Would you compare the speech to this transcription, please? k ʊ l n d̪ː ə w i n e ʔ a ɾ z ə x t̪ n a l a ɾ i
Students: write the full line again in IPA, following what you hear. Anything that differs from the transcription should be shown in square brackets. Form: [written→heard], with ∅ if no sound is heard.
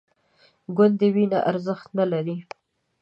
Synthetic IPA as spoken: [k→ɡ] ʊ [l→∅] n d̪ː ə w i n [e→a] ʔ a ɾ z ə x t̪ n a l a ɾ i